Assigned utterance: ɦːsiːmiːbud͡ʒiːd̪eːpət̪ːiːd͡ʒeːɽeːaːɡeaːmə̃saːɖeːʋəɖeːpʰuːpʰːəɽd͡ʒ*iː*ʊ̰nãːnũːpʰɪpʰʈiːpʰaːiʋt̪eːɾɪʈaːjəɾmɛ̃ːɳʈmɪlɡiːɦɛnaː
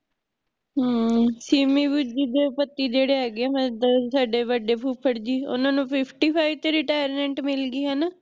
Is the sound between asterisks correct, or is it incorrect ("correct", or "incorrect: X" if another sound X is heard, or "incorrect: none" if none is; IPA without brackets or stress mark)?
correct